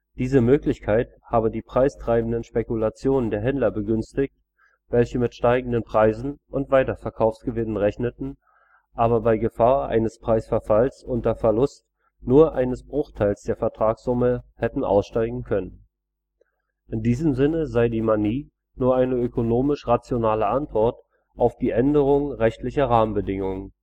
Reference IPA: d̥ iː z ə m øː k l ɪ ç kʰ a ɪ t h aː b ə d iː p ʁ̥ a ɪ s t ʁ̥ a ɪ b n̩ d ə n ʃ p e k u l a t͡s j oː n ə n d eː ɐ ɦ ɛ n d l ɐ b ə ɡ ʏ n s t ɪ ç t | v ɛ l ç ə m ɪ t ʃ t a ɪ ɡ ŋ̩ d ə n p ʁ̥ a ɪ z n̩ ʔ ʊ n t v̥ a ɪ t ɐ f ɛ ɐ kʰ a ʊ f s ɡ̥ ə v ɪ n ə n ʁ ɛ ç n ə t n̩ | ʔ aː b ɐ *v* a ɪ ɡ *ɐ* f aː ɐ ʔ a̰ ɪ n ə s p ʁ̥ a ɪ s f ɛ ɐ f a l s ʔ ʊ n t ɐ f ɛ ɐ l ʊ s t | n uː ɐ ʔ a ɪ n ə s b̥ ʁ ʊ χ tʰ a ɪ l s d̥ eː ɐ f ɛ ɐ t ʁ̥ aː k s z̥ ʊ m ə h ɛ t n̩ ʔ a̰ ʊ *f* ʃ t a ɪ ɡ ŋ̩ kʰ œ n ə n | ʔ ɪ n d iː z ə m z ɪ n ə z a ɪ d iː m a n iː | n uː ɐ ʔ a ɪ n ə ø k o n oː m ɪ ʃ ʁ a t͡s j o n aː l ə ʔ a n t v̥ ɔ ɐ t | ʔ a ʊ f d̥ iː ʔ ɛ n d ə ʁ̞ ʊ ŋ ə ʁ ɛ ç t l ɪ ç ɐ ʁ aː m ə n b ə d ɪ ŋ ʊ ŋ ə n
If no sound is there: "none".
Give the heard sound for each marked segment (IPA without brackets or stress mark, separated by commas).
b, ə, s